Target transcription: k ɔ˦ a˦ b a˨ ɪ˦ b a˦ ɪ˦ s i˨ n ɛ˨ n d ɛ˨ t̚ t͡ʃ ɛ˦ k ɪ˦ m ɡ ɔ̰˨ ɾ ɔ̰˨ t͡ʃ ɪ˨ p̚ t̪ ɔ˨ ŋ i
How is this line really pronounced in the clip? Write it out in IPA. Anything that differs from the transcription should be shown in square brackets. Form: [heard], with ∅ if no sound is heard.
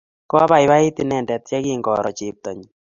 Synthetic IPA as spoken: k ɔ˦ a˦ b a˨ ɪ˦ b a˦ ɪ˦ [t] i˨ n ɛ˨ n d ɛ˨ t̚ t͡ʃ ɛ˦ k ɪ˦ [ŋ] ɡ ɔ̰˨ ɾ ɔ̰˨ t͡ʃ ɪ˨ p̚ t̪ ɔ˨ [ɲ] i